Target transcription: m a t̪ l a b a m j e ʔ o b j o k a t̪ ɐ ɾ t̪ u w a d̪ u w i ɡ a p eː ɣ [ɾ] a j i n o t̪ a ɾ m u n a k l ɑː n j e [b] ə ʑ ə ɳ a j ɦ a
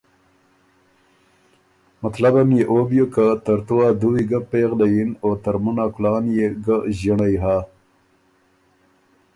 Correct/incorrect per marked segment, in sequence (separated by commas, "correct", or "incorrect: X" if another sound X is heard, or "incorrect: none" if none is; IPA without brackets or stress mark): incorrect: l, incorrect: ɡ